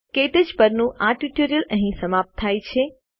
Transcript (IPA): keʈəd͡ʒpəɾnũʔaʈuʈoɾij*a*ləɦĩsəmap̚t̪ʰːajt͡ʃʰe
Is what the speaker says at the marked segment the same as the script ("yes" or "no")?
no